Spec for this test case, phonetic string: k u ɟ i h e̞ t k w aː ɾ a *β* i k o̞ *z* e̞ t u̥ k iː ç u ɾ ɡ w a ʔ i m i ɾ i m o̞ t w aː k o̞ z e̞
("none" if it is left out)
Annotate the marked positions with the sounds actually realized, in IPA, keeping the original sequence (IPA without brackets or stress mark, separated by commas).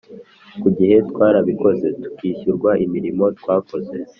β, z